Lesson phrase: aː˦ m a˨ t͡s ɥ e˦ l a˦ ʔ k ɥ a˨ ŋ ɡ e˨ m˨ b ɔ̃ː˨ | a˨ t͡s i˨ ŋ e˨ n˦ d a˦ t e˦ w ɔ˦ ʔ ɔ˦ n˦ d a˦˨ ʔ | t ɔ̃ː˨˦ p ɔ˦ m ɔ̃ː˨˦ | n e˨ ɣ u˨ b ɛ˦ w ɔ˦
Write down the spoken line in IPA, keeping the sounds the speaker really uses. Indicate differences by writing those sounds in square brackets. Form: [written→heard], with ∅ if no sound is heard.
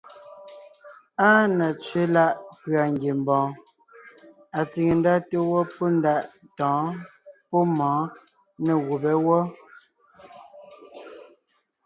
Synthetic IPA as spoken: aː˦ [m→n] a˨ t͡s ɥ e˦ l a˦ ʔ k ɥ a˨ ŋ ɡ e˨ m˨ b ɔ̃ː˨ | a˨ t͡s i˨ ŋ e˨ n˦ d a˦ t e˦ w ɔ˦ [ʔ→p] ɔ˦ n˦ d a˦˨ ʔ | t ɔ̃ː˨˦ p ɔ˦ m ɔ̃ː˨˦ | n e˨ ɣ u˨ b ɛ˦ w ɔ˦

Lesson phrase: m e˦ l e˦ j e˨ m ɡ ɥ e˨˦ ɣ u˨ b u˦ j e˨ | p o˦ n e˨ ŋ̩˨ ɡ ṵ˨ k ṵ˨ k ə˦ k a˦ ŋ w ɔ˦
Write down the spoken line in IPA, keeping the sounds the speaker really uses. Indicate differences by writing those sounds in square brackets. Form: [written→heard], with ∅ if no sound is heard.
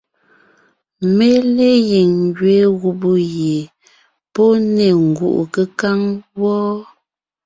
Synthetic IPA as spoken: m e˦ l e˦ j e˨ [m→ŋ] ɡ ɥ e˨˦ ɣ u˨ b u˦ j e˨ | p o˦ n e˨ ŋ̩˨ ɡ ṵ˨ [k→ʔ] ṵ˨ k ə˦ k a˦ ŋ w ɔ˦

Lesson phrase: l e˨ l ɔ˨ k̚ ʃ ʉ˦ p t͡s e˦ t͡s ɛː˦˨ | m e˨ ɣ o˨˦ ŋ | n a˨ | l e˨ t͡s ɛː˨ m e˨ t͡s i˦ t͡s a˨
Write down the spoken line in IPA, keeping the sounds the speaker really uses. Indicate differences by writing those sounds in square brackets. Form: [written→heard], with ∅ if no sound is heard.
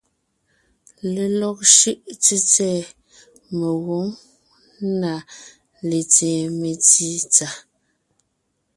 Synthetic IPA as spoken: l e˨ l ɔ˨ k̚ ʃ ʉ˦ [p→ʔ] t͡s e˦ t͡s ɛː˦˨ | m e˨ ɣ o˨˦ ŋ | n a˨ | l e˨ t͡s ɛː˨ m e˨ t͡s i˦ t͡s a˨

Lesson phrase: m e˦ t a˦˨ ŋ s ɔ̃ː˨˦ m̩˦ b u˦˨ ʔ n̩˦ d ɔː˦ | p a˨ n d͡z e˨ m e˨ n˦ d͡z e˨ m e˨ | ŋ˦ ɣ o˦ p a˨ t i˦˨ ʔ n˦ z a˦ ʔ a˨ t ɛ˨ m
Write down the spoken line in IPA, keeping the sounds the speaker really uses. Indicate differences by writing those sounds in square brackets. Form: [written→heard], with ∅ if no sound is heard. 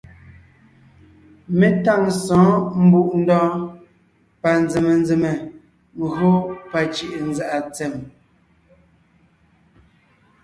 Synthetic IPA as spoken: m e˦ t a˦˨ ŋ s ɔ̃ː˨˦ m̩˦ b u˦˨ ʔ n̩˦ d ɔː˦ | p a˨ n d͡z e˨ m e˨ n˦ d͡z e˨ m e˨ | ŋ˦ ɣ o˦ p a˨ [t→t͡ʃ] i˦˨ ʔ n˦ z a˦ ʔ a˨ [t→t͡s] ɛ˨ m

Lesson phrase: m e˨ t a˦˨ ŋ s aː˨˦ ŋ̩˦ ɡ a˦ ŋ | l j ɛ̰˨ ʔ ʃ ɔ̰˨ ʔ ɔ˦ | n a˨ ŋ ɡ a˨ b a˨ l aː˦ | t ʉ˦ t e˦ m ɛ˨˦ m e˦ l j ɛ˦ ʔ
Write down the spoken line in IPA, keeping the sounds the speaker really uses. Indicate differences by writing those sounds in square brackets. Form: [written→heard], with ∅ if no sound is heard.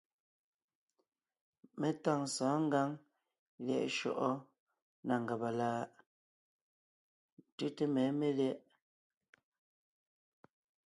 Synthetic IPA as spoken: m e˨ t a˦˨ ŋ s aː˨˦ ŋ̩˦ ɡ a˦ ŋ | l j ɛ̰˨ ʔ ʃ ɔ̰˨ ʔ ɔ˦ | n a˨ ŋ ɡ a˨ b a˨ l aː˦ | t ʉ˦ t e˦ m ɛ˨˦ m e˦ l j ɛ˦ ʔ

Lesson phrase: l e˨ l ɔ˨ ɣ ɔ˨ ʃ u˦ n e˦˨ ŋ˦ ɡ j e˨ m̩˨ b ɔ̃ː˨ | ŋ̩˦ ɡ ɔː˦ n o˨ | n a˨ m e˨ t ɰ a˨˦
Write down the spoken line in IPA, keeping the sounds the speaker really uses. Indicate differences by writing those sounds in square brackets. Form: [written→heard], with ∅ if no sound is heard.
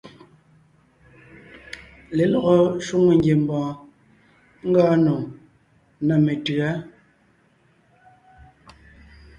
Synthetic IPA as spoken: l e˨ l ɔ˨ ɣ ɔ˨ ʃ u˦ [n→ŋ] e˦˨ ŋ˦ ɡ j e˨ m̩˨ b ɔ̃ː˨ | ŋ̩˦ ɡ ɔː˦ n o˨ | n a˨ m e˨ t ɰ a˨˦

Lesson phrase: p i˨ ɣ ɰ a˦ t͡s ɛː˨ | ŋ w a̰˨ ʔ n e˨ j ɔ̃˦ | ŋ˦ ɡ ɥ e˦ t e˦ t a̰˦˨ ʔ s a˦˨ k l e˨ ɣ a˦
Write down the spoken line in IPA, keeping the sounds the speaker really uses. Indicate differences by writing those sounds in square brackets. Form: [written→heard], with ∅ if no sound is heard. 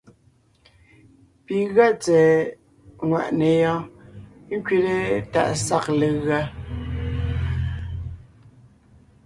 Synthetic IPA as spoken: p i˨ ɣ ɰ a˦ t͡s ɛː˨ | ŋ w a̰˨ ʔ n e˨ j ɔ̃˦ | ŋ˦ [ɡ→k] ɥ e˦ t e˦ t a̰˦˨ ʔ s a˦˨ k l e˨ ɣ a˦

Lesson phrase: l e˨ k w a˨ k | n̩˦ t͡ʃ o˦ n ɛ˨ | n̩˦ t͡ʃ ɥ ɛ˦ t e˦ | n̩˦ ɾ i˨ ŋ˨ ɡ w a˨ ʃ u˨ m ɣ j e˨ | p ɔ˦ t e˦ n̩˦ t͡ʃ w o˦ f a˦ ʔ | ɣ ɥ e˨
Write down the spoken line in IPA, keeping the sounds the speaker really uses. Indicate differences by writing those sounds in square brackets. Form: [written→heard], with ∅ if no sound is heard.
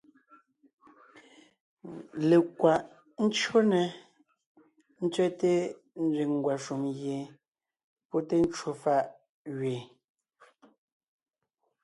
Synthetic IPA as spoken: l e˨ k w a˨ [k→ʔ] | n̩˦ t͡ʃ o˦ n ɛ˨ | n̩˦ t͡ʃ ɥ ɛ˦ t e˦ | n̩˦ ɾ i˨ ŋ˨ ɡ w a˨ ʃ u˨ m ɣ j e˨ | p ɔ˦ t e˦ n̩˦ t͡ʃ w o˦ f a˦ ʔ | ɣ ɥ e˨

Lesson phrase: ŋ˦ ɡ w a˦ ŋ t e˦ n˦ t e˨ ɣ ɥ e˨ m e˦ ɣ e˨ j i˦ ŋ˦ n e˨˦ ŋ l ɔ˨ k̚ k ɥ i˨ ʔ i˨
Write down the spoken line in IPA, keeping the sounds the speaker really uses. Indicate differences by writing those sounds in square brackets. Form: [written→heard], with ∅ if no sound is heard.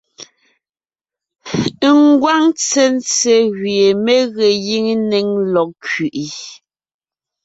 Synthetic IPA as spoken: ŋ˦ ɡ w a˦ ŋ [t→t͡s] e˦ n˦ [t→t͡s] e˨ ɣ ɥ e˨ m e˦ ɣ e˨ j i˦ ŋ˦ n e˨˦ ŋ l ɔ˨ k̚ k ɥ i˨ ʔ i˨

